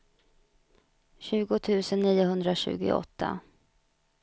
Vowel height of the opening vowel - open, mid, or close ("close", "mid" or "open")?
close